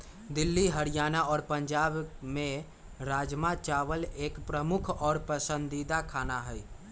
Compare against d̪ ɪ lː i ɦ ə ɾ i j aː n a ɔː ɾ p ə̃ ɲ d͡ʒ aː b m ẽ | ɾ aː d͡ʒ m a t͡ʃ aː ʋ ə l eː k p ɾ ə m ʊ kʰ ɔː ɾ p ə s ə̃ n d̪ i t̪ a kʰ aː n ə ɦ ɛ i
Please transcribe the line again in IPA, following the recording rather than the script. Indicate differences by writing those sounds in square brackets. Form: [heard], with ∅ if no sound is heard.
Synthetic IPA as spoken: d̪ ɪ lː i ɦ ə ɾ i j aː n a ɔː ɾ p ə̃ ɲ d͡ʒ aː b m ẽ | ɾ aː d͡ʒ m a t͡ʃ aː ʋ ə l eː k p ɾ ə m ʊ kʰ ɔː ɾ p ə s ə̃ n d̪ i [d̪] a kʰ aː n [a] ɦ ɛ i